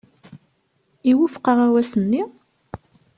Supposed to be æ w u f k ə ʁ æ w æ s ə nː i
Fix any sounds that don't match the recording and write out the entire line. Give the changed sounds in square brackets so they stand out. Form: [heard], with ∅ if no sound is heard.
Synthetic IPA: [i] w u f [q] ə ʁ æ w æ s ə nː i